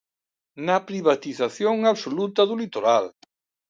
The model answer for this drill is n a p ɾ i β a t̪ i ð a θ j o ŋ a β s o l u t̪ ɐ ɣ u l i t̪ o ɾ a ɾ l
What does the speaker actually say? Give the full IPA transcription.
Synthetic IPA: n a p ɾ i β a t̪ i θ a θ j o ŋ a β s o l u t̪ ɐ ð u l i t̪ o ɾ a l